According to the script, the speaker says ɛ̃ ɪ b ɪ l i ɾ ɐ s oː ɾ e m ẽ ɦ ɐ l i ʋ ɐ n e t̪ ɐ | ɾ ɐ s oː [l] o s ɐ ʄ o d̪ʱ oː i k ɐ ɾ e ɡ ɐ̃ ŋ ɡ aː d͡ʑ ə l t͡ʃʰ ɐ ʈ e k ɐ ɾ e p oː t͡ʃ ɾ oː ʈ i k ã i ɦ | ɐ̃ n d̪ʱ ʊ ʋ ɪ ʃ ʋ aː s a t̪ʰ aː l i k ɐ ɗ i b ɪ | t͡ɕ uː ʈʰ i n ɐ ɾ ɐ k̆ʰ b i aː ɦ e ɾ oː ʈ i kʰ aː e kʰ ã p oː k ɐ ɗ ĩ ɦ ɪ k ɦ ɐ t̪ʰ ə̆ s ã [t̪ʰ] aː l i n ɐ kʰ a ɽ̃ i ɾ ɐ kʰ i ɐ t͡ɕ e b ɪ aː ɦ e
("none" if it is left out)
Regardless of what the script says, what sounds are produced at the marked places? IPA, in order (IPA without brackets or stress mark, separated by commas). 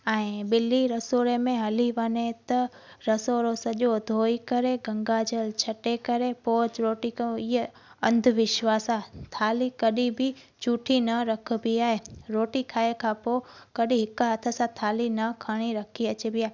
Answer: ɾ, t̪ʰ